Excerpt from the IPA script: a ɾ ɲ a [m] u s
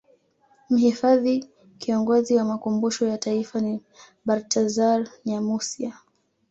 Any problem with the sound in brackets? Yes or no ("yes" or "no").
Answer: no